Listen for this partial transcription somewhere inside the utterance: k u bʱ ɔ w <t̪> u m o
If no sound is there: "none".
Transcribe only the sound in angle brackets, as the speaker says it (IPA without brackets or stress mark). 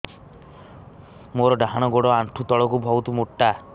t̪